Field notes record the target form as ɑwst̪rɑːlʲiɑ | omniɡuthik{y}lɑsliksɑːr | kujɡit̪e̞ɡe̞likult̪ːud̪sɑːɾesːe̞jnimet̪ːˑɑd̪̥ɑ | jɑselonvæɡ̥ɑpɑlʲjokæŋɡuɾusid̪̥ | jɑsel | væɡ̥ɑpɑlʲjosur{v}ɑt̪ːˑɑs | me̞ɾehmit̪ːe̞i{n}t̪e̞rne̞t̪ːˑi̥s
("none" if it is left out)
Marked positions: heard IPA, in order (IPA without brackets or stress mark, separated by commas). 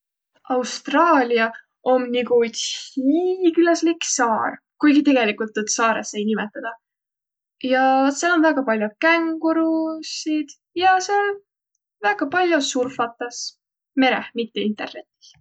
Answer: y, f, n